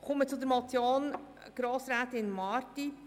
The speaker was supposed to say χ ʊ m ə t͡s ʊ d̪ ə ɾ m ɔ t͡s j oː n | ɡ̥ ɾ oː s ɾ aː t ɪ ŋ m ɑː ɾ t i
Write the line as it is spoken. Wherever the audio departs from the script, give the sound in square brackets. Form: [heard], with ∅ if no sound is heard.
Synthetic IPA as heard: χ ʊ m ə t͡s ʊ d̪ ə ɾ m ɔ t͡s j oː n | ɡ̥ ɾ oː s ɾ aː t ɪ [n] m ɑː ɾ t i